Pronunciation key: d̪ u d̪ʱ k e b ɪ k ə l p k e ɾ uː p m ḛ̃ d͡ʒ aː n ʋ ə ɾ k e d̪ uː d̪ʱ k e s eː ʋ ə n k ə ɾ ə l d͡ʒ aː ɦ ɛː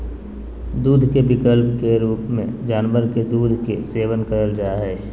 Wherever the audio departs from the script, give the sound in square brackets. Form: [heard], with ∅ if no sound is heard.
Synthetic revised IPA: d̪ [uː] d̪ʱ k e b ɪ k ə l p k e ɾ uː p m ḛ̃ d͡ʒ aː n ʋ ə ɾ k e d̪ uː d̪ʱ k e s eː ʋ ə n k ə ɾ ə l d͡ʒ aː ɦ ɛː

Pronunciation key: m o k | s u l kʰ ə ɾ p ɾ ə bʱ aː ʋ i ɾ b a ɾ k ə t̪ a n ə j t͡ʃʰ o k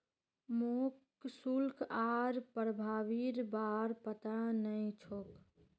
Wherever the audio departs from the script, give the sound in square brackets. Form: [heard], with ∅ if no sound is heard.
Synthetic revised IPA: m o k | s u l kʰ [a] ɾ p ɾ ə bʱ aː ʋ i ɾ b a ɾ [p] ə t̪ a n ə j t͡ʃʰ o k

